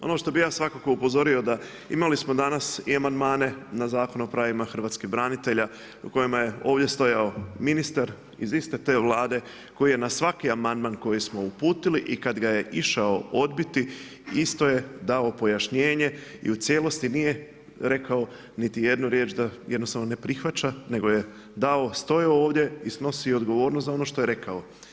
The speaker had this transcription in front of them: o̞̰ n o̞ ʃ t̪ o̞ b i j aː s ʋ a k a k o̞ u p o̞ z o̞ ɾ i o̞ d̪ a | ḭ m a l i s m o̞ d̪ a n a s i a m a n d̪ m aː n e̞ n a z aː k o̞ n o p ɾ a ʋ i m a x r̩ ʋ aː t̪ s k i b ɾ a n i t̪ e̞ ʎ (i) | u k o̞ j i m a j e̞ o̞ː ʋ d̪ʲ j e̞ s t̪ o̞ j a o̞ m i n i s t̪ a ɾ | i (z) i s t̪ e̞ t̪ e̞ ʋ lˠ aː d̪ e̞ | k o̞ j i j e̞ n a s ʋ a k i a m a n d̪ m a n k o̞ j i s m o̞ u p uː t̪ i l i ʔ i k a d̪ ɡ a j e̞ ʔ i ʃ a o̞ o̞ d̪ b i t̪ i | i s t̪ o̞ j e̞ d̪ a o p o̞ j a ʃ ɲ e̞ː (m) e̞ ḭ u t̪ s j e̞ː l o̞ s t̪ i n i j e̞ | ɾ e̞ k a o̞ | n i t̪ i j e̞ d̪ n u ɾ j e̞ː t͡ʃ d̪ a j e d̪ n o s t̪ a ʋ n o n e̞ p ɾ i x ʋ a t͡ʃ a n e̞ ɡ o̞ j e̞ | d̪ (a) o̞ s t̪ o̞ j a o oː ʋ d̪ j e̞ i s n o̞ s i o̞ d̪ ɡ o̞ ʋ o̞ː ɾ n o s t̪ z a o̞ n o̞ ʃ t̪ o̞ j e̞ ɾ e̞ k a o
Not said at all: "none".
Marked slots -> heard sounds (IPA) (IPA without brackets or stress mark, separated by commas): a, z, ɲ, a